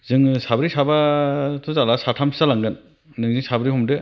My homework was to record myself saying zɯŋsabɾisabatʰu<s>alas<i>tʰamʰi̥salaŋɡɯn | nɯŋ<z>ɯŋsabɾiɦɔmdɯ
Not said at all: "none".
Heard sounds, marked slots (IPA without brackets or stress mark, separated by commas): z, a, z